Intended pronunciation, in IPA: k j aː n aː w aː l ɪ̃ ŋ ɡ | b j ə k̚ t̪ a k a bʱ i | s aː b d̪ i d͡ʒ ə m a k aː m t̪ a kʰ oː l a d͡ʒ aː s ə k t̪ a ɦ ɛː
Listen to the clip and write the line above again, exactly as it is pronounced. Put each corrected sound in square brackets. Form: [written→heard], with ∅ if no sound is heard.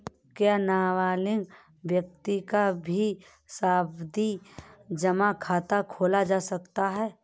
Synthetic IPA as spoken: k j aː n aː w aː l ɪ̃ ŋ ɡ | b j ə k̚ t̪ [a→i] k a bʱ i | s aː b d̪ i d͡ʒ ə m a [k→kʰ] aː [m→∅] t̪ a kʰ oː l a d͡ʒ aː s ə k t̪ a ɦ ɛː